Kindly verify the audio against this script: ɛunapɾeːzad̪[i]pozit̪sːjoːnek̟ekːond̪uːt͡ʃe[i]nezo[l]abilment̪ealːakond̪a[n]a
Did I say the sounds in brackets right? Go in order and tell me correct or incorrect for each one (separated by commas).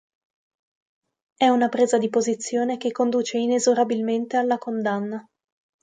correct, correct, incorrect, incorrect